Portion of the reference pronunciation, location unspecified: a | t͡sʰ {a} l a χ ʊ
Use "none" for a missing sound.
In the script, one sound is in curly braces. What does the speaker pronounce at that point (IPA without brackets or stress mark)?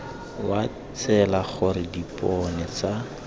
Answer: ɛ